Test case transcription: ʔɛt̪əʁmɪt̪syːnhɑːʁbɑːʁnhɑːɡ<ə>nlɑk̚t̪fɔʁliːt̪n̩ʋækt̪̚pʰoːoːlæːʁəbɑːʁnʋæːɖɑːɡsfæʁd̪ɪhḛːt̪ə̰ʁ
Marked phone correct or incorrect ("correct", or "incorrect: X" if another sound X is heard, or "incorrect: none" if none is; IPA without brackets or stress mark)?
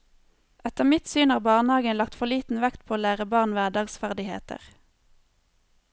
correct